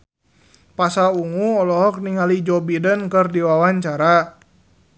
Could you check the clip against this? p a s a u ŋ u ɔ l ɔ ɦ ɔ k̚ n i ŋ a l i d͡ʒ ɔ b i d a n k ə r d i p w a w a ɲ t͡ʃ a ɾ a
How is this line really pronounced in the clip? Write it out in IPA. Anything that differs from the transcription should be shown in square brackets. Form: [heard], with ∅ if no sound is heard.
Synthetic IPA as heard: p a s a u ŋ u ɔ l ɔ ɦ ɔ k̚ n i ŋ a l i d͡ʒ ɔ b i d [ə] n k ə r d i [∅] w a w a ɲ t͡ʃ a ɾ a